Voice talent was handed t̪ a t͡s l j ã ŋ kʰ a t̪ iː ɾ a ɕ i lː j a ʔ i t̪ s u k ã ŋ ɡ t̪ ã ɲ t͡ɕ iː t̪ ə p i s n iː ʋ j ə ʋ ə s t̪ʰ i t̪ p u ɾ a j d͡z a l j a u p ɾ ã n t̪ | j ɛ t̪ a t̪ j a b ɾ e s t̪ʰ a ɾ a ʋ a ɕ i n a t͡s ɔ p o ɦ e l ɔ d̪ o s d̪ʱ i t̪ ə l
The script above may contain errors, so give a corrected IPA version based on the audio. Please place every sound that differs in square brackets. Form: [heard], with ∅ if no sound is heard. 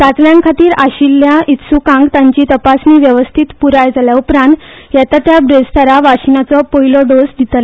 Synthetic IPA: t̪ a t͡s l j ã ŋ kʰ a t̪ iː ɾ a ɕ i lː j a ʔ i t̪ s u k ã ŋ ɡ t̪ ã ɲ t͡ɕ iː t̪ ə p [a] s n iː ʋ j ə ʋ ə s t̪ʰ i t̪ p u ɾ a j d͡z a l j a u p ɾ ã n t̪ | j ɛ t̪ a t̪ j a b ɾ e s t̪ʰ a ɾ a ʋ a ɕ i n a t͡s ɔ p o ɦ [i] l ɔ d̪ o s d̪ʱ i t̪ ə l